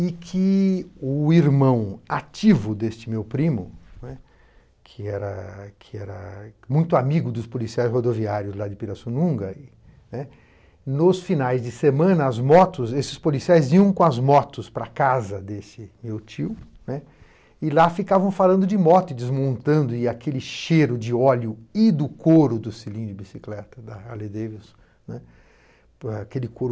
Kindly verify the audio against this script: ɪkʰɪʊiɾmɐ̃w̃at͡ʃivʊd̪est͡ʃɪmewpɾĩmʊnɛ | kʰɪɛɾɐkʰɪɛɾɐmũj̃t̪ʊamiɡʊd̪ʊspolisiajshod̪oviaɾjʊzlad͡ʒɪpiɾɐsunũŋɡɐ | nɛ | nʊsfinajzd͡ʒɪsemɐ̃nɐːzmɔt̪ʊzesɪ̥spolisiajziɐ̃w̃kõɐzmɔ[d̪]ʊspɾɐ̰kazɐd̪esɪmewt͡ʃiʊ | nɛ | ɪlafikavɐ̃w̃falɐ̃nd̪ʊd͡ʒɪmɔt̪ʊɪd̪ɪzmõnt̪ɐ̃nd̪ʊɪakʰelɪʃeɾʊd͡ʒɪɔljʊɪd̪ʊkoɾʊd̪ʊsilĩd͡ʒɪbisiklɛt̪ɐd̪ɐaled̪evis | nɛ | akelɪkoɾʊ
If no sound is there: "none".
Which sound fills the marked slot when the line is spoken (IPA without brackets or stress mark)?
t̪